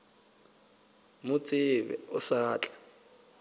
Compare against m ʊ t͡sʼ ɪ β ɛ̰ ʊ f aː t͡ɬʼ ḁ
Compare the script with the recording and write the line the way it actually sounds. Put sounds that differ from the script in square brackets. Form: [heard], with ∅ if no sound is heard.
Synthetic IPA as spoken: m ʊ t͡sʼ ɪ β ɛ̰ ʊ [s] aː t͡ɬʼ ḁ